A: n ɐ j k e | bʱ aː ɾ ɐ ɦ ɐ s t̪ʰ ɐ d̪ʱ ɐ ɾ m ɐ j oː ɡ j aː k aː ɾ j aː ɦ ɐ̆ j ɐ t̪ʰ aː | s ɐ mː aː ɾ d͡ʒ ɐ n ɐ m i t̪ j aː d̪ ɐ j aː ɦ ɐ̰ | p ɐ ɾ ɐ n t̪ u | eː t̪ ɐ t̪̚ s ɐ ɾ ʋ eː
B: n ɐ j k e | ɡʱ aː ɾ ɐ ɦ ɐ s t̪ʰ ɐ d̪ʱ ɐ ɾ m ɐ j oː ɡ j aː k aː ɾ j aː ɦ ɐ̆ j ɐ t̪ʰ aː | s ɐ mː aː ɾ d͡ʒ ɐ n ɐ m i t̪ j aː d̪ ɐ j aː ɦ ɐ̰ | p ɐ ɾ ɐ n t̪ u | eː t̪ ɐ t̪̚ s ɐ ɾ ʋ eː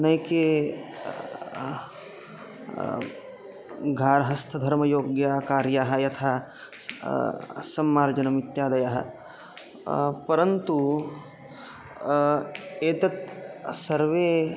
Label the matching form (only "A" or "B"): B